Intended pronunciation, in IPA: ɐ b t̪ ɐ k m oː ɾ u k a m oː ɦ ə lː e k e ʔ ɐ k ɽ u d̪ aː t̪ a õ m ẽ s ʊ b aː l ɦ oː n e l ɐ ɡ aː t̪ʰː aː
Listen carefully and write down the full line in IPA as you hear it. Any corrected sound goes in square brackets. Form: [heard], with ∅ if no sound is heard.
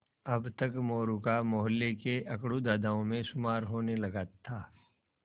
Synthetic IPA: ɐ b t̪ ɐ k m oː ɾ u k a m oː ɦ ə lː e k e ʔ ɐ k ɽ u d̪ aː [d̪] a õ m ẽ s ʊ [m] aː [ɾ] ɦ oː n e l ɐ ɡ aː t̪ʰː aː